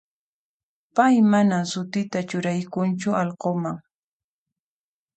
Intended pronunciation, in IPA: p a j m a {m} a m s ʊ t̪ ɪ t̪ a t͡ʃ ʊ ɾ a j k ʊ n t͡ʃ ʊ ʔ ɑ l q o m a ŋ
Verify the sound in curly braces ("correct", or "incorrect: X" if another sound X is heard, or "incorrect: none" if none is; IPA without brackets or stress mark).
incorrect: n